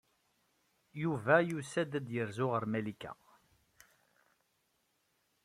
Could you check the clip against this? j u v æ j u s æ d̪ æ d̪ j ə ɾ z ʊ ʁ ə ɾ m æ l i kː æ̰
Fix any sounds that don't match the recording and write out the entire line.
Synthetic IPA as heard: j u v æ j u s æ d̪ æ d̪ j ə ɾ z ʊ ʁ ə ɾ m æ l i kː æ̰